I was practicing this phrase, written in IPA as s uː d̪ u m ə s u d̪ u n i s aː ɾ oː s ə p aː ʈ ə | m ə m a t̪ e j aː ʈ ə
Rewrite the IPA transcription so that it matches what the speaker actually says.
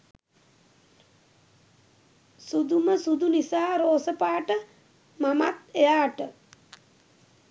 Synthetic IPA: s u d̪ u m ə s u d̪ u n i s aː ɾ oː s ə p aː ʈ ə | m a m a t̪ e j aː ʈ ə